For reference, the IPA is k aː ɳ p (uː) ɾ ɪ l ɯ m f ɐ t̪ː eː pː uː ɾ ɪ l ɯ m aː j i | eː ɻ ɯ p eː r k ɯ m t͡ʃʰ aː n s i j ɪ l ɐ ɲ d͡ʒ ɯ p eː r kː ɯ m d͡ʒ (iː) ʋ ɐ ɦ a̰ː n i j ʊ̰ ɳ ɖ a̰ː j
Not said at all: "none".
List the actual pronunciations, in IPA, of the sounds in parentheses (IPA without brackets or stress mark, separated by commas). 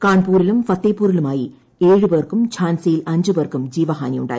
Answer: uː, iː